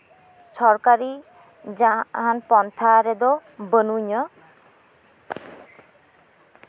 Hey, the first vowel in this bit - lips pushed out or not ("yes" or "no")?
yes